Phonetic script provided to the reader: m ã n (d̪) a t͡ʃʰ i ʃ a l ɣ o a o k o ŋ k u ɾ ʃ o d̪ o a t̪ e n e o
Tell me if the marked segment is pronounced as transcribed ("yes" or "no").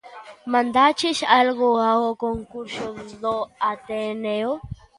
yes